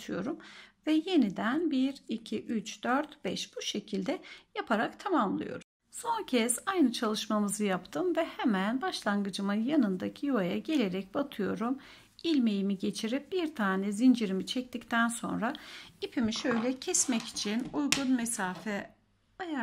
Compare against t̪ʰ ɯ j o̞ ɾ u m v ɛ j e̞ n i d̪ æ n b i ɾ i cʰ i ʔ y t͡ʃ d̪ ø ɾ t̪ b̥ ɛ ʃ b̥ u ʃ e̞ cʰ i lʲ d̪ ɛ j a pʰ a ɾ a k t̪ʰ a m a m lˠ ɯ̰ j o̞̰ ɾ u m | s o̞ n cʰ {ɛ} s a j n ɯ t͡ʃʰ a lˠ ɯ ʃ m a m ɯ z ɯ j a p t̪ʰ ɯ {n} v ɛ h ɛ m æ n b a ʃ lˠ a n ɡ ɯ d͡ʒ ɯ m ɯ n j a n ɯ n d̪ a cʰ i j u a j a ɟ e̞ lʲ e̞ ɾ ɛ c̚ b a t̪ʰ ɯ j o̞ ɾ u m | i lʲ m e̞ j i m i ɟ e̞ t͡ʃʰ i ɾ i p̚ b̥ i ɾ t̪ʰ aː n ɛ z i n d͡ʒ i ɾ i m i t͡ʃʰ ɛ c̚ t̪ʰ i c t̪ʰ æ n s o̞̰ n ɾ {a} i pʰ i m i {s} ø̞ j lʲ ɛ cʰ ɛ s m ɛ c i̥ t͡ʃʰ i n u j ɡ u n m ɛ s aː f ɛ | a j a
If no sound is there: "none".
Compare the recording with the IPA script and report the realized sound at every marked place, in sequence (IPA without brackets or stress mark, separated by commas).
ɛ, m, a, ʃ